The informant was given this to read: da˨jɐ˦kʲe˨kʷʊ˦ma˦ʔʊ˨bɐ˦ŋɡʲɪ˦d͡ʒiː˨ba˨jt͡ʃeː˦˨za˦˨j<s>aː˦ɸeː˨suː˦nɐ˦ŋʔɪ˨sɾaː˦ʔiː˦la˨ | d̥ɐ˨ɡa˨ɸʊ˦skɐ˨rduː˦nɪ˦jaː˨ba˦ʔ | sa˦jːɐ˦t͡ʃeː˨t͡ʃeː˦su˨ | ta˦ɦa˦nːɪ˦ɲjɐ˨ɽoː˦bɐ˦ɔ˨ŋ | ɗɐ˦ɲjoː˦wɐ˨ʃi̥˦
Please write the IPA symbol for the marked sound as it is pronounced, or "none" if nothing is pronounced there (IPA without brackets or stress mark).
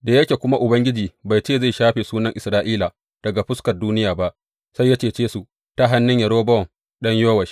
ʃ